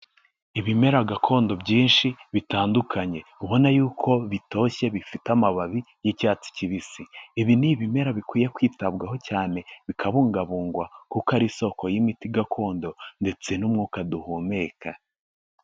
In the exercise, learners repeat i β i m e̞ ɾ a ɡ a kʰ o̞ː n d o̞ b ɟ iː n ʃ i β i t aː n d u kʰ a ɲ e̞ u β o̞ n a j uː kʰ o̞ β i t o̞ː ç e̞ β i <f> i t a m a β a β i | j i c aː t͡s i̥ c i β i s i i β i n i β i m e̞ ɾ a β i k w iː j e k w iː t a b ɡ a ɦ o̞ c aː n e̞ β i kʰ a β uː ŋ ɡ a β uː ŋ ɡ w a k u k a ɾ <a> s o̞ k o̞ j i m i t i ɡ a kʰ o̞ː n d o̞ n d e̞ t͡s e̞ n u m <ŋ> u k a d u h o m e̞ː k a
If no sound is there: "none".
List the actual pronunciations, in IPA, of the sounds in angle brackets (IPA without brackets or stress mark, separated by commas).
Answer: f, i, ŋ